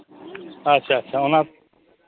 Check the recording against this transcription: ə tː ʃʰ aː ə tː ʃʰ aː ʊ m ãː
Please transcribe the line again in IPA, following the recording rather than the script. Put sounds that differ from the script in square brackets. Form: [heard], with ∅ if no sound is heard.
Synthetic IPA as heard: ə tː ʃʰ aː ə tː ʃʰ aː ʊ [n] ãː